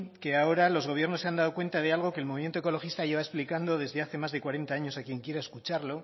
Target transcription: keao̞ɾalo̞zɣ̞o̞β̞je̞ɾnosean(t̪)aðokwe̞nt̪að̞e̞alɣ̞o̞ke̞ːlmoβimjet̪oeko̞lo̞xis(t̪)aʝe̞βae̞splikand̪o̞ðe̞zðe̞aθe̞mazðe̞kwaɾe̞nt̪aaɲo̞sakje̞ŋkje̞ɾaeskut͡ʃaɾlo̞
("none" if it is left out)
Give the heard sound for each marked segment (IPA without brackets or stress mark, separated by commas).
d̪, t̪